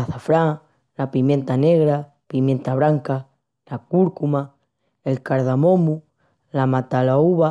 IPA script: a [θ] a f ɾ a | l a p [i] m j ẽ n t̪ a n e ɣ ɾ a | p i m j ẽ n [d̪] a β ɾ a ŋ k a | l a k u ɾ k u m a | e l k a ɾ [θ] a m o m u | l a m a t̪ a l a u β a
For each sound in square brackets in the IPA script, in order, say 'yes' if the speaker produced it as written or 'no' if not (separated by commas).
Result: yes, yes, no, no